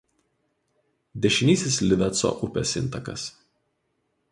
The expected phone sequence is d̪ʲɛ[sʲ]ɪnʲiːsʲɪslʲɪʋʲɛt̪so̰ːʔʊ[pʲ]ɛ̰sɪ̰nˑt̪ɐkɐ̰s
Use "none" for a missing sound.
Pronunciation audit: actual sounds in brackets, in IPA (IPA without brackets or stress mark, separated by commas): ʃʲ, pʲ